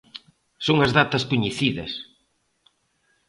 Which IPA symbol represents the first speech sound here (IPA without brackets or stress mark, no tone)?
s